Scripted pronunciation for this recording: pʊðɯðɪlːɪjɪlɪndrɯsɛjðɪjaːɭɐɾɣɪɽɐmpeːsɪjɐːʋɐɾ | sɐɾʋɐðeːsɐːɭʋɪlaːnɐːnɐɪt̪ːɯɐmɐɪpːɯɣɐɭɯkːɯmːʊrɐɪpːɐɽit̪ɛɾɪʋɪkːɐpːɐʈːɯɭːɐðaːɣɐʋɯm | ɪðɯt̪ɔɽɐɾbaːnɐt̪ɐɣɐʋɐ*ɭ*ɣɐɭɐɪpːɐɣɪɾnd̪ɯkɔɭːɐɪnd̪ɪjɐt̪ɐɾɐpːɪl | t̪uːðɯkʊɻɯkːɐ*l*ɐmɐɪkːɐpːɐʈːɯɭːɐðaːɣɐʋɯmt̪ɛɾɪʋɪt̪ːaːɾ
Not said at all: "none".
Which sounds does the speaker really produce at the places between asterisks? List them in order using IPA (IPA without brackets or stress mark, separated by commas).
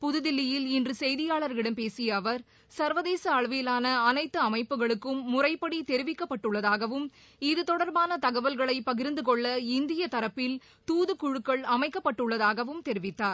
l, ɭ